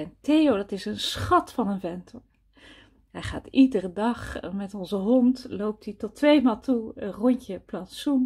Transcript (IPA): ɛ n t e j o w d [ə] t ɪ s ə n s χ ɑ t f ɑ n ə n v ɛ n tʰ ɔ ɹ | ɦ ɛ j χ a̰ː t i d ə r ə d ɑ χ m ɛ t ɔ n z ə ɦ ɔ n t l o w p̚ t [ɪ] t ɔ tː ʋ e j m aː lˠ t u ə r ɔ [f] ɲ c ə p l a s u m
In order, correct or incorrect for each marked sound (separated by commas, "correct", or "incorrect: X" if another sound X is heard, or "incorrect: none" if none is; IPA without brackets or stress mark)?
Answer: incorrect: ɑ, incorrect: i, incorrect: none